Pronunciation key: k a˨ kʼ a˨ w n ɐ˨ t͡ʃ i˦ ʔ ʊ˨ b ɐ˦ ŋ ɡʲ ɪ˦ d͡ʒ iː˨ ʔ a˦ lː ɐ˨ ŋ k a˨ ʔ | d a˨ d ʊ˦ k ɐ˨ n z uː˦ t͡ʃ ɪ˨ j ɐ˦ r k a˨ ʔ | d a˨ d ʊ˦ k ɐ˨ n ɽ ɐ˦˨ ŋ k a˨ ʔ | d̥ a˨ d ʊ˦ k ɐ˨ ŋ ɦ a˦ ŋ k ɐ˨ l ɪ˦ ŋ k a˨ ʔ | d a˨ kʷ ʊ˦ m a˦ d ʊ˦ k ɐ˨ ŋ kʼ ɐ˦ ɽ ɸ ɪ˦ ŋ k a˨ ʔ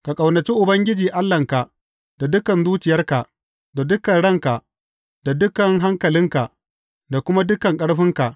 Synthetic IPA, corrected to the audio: k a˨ kʼ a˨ w n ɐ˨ t͡ʃ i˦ ʔ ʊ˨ b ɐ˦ ŋ ɡʲ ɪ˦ d͡ʒ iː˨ ʔ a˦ lː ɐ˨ ŋ k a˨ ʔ | d a˨ d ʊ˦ k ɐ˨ n z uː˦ t͡ʃ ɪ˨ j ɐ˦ r k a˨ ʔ | d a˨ d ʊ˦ k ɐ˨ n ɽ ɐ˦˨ ŋ k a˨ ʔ | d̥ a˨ d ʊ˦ k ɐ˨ ŋ ɦ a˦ ŋ k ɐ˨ l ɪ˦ ŋ k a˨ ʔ | d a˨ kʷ ʊ˦ m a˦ d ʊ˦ k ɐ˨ ŋ kʼ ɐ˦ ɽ ɸ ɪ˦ ŋ k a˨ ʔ